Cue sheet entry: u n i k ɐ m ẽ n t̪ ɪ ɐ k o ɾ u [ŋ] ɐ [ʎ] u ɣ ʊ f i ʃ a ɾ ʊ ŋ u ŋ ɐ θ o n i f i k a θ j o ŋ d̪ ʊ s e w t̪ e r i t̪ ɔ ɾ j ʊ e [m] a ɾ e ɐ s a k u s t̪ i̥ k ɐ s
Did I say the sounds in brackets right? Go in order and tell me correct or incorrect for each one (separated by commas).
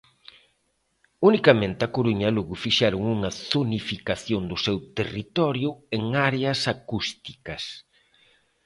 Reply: incorrect, incorrect, incorrect